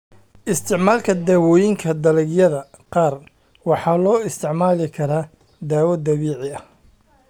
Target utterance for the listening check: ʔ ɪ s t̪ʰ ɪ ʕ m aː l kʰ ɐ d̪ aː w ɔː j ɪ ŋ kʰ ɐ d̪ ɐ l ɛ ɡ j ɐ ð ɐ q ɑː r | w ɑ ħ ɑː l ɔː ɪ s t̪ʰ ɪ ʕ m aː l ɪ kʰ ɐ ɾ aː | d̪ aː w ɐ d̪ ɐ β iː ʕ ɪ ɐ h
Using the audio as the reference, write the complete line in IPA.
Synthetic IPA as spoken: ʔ ɪ s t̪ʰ ɪ ʕ m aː l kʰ ɐ d̪ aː w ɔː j ɪ ŋ kʰ ɐ d̪ ɐ l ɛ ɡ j ɐ ð ɐ q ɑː r | w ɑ ħ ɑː l ɔː ɪ s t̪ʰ ɪ ʕ m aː l ɪ kʰ ɐ ɾ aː | d̪ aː w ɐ d̪ ɐ β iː ʕ ɪ ɐ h